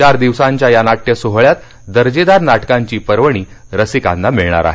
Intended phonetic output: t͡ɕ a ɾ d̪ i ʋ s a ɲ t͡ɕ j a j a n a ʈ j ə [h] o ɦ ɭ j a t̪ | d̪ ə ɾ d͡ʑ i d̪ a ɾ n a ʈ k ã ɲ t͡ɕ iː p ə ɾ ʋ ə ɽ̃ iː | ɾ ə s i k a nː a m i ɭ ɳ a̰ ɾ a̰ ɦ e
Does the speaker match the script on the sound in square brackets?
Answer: no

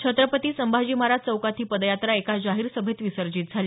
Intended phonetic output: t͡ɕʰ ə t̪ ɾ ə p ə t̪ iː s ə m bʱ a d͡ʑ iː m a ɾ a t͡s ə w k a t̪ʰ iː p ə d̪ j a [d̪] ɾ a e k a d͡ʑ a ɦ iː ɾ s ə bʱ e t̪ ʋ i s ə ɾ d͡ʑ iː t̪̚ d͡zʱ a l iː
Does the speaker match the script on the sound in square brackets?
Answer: no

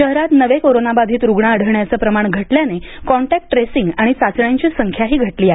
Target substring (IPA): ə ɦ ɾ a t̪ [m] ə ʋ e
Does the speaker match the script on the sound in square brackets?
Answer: no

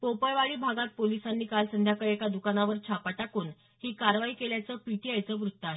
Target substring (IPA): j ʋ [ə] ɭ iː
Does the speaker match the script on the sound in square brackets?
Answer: no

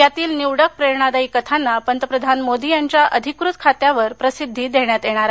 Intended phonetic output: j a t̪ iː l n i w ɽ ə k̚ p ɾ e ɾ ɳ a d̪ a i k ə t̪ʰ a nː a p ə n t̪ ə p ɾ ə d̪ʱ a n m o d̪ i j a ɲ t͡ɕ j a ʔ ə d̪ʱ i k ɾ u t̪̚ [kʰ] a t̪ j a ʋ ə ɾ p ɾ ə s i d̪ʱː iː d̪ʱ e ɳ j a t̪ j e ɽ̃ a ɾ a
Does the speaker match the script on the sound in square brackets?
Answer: yes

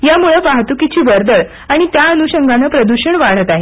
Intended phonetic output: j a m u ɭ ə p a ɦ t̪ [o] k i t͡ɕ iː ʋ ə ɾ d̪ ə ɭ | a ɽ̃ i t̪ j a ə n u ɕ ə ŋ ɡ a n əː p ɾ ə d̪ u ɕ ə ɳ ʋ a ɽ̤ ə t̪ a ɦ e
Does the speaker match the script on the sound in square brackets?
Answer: no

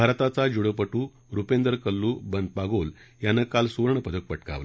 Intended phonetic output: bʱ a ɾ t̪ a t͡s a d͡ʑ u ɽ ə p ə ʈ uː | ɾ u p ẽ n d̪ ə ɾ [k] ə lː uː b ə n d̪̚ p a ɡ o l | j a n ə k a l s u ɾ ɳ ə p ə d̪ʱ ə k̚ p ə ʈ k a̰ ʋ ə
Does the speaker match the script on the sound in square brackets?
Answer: yes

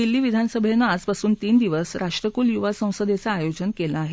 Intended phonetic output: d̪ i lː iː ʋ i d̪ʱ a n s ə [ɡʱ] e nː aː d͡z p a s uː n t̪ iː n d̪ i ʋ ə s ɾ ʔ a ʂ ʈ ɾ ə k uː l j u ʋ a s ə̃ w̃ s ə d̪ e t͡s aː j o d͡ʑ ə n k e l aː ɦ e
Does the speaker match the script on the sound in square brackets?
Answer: no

